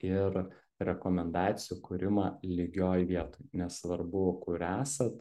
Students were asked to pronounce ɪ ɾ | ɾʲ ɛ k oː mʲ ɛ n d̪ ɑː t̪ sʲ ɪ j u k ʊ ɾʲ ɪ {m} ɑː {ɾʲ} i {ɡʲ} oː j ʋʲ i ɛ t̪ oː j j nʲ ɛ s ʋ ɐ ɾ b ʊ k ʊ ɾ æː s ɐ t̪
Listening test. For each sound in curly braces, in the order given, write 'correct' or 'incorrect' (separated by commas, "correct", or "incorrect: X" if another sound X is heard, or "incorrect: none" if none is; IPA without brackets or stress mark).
correct, incorrect: lʲ, correct